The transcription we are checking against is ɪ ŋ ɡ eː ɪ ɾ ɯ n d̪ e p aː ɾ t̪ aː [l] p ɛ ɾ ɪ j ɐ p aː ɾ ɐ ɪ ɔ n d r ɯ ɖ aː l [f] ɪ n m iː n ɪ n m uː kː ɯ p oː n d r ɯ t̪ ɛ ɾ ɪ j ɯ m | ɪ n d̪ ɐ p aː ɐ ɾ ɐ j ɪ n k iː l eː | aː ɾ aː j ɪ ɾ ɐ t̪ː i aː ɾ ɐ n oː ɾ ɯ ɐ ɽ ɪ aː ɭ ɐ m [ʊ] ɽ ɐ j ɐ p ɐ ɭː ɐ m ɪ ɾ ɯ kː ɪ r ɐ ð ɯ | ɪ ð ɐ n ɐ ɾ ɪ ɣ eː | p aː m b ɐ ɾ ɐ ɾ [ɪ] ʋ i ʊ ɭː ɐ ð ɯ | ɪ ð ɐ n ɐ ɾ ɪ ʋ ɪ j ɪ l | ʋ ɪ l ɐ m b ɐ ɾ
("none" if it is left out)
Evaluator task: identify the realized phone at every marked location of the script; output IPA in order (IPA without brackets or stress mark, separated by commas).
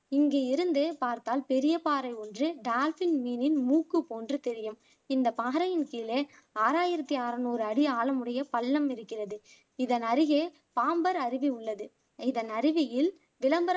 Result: l, f, ɯ, ɪ